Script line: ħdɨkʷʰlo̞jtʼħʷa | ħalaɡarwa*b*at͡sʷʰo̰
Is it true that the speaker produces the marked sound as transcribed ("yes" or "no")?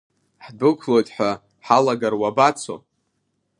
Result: yes